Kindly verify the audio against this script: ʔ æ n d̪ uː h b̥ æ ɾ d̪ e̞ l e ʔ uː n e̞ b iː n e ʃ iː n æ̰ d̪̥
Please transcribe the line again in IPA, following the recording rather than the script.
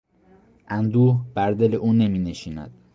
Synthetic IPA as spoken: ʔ æ n d̪ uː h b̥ æ ɾ d̪ e̞ l e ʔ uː n e̞ m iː n e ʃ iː n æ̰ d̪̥

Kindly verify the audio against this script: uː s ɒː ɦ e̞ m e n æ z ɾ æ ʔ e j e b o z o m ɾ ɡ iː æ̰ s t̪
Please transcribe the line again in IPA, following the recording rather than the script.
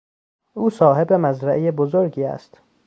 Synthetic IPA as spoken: uː s ɒː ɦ e̞ b e m æ z ɾ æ ʔ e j e b o z o ɾ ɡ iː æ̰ s t̪

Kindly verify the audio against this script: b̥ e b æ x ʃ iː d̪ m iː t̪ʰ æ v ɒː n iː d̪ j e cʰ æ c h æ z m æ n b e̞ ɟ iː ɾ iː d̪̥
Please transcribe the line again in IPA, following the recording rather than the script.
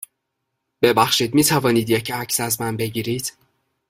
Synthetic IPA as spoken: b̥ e b æ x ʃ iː d̪ m iː t̪ʰ æ v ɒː n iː d̪ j e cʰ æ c s æ z m æ n b e̞ ɟ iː ɾ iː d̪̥

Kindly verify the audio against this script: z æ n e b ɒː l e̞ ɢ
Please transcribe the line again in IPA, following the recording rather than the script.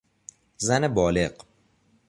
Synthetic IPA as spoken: z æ n e b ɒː l e̞ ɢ

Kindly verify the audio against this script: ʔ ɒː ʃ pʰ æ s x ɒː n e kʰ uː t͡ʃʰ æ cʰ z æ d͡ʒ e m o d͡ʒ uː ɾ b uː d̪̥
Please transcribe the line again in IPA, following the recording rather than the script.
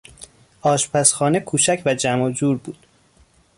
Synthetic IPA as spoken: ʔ ɒː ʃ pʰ æ s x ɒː n e kʰ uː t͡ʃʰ æ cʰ v æ d͡ʒ æ m o d͡ʒ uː ɾ b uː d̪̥

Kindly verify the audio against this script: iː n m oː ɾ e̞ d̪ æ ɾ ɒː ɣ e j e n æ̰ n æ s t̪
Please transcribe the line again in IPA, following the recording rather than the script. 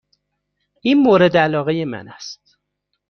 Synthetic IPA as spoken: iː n m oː ɾ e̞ d̪ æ l ɒː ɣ e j e m æ̰ n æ s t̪

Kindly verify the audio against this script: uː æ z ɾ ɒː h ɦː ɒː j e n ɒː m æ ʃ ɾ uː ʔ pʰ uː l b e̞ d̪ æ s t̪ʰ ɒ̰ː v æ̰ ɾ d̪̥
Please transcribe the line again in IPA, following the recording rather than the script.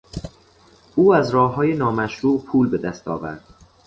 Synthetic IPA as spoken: uː æ z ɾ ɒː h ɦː ɒː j e n ɒː m æ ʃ ɾ uː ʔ pʰ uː l b e̞ d̪ æ s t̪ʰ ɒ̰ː v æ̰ ɾ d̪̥

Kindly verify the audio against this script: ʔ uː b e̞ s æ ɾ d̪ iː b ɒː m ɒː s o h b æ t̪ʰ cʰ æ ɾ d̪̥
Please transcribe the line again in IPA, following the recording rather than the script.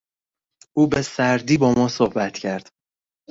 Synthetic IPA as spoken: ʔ uː b e̞ s æ ɾ d̪ iː b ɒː m ɒː s o h b æ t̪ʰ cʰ æ ɾ d̪̥

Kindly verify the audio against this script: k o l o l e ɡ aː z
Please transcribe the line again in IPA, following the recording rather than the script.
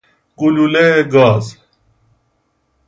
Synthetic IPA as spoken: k u l u l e ɡ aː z

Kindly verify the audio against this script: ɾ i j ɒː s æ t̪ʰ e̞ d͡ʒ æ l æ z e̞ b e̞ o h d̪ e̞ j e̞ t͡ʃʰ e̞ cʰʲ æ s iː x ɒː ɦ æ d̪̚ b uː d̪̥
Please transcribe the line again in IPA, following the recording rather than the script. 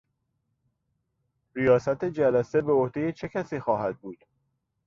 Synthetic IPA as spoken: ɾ i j ɒː s æ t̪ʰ e̞ d͡ʒ æ l æ s e̞ b e̞ o h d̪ e̞ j e̞ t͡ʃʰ e̞ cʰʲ æ s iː x ɒː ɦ æ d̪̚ b uː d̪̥

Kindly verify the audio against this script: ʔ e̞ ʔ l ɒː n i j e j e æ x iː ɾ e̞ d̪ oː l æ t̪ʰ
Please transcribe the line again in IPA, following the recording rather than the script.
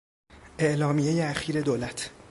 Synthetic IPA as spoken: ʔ e̞ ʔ l ɒː m i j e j e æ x iː ɾ e̞ d̪ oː l æ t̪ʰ

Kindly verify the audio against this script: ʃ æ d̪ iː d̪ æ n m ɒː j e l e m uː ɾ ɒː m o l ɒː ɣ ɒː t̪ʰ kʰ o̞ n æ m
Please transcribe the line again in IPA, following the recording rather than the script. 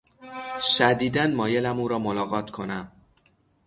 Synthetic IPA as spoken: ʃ æ d̪ iː d̪ æ n m ɒː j e l æ m uː ɾ ɒː m o l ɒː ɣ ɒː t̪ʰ kʰ o̞ n æ m

